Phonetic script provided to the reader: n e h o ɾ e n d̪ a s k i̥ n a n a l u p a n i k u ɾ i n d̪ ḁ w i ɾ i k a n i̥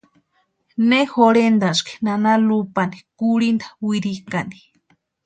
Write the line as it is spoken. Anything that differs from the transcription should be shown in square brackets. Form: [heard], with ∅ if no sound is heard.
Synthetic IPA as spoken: n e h o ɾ e n d̪ a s k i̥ n a n a l u p a n i k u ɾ i n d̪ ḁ w i ɾ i k a n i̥